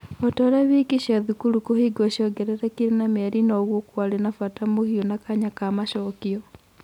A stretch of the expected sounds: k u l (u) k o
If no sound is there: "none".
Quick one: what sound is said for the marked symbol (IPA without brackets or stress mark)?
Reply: u